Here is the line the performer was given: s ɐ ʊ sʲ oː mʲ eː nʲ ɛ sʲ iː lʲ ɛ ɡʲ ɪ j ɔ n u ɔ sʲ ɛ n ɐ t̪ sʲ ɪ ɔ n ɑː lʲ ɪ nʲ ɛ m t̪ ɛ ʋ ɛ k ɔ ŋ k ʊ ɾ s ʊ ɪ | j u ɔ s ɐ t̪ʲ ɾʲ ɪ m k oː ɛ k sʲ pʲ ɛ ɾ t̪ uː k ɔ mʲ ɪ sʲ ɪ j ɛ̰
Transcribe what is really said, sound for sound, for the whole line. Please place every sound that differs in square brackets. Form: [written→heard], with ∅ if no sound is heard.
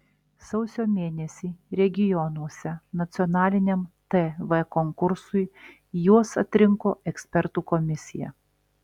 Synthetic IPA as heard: s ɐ ʊ sʲ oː mʲ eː nʲ ɛ sʲ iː [lʲ→ɾʲ] ɛ ɡʲ ɪ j ɔ n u ɔ sʲ ɛ n ɐ t̪ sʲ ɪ ɔ n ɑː lʲ ɪ nʲ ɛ m t̪ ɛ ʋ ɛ k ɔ ŋ k ʊ ɾ s ʊ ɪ | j u ɔ s ɐ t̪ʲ ɾʲ ɪ [m→ŋ] k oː ɛ k sʲ pʲ ɛ ɾ t̪ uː k ɔ mʲ ɪ sʲ ɪ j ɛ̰